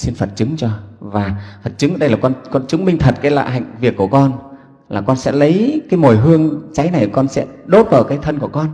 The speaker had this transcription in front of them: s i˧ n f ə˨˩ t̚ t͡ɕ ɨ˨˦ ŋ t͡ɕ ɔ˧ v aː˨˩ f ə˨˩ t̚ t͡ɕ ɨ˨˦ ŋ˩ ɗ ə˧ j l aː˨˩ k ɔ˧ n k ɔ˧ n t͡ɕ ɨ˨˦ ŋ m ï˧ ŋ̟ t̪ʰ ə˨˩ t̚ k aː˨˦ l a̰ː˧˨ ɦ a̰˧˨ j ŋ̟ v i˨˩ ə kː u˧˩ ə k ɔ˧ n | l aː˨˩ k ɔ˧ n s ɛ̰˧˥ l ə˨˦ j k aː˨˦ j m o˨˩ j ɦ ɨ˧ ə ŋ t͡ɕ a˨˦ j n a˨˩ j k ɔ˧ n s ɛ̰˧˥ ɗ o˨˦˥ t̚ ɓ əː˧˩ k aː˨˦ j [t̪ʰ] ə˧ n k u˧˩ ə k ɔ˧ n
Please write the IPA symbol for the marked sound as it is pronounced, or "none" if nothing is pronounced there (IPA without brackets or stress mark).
t̪ʰ